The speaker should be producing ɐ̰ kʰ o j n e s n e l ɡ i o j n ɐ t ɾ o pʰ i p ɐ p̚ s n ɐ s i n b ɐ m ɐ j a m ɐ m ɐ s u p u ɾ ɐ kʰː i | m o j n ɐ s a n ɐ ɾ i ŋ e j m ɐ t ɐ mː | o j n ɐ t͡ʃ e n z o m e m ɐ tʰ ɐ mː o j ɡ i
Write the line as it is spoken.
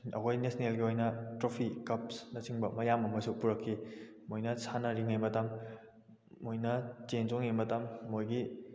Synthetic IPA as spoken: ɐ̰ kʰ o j n e s n e l ɡ i o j n ɐ t ɾ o pʰ i k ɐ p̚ s n ɐ s i ŋ b ɐ m ɐ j a m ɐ m ɐ s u p u ɾ ɐ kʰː i | m o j n ɐ s a n ɐ ɾ i ŋ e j m ɐ t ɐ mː | o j n ɐ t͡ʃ e n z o ŋ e m ɐ t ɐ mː o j ɡ i